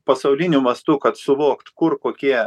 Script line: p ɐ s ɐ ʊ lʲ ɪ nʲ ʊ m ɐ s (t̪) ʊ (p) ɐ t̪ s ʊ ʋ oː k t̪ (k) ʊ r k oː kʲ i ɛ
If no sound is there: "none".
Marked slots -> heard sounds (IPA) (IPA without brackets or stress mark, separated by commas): t̪, k, k